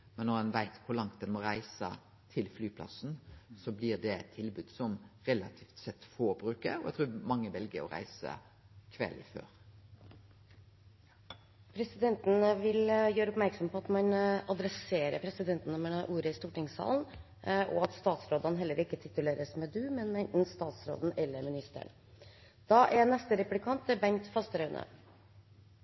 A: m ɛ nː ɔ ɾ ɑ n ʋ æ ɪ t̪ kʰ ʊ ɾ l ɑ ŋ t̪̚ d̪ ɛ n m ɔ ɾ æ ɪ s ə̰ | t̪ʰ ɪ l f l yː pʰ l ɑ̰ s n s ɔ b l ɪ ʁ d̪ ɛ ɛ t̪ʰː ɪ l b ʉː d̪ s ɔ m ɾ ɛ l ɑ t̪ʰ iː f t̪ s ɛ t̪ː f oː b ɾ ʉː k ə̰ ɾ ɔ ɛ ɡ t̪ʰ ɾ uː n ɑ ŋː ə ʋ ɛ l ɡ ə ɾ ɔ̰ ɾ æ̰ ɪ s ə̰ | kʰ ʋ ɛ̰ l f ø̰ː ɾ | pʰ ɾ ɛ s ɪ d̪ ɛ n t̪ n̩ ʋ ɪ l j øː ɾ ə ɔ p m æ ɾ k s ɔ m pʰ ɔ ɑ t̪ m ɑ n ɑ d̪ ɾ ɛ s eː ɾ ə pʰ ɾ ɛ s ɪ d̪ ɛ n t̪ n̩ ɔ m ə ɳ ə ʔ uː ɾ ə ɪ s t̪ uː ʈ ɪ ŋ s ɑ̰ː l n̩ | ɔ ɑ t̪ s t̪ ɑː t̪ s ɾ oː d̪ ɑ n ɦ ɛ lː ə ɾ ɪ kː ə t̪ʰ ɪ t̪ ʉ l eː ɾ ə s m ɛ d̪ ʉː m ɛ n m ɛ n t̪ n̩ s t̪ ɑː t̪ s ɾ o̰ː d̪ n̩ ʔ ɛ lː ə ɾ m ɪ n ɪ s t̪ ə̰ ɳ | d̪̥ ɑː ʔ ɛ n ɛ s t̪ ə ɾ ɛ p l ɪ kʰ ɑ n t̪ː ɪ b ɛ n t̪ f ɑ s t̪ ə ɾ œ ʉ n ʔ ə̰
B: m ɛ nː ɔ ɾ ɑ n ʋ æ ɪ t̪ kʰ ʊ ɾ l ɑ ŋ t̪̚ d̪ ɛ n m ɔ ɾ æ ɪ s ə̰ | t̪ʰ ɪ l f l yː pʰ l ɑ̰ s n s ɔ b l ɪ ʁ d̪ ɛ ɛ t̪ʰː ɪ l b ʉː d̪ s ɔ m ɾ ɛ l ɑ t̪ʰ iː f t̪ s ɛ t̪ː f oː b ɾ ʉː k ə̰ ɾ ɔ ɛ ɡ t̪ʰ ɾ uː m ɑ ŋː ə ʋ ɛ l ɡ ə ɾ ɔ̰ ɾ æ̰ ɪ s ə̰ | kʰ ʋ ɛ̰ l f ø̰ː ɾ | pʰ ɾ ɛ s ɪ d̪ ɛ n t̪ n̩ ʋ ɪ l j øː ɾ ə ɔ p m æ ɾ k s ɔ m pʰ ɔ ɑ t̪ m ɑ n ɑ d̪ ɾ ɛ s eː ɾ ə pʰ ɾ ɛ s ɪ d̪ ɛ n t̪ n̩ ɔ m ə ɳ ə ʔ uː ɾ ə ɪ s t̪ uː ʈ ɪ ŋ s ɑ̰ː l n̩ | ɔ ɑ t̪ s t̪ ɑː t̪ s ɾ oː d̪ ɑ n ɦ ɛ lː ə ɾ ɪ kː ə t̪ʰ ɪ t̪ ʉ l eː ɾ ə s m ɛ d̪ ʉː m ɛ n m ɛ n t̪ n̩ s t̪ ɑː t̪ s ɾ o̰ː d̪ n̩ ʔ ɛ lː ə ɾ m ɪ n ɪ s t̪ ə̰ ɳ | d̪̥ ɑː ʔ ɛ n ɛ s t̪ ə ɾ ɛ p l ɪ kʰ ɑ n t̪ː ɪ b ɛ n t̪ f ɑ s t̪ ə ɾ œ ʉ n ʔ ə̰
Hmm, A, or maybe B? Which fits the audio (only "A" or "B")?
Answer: B